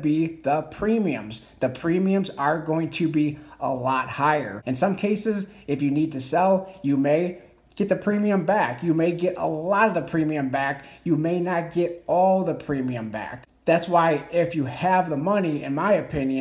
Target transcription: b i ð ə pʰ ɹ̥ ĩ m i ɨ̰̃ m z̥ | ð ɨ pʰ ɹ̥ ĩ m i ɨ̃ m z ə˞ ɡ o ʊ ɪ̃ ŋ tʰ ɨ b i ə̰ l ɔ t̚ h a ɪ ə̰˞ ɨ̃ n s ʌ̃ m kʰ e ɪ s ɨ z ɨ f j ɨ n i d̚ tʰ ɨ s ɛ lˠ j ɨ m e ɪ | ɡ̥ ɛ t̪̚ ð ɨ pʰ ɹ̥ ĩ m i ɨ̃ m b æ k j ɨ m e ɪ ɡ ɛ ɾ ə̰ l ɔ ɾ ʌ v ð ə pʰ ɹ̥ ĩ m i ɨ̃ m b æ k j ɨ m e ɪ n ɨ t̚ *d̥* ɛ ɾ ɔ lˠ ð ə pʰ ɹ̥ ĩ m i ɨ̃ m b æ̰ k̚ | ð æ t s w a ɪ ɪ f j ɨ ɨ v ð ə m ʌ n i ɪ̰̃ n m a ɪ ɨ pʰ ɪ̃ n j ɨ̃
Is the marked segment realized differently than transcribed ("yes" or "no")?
yes